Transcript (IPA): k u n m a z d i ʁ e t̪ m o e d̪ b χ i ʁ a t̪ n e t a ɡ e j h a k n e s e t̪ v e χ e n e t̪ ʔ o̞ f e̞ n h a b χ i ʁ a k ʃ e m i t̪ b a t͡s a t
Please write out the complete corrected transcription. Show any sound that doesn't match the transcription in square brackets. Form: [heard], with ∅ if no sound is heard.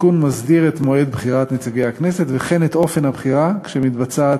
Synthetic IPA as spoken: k u n m a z d i ʁ e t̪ m o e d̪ b χ i ʁ a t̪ n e [t͡s] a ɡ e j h a k n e s e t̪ v e χ e n e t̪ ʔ o̞ f e̞ n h a b χ i ʁ a k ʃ e m i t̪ b a t͡s a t